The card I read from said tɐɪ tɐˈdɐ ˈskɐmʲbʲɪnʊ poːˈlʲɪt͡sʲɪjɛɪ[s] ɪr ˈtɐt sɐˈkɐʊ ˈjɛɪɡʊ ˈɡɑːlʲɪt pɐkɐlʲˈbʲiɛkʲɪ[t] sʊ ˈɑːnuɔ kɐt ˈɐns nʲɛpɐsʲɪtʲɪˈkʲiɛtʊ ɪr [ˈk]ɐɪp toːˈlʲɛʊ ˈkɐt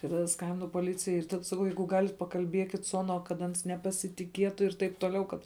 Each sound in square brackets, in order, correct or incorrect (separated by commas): incorrect, correct, incorrect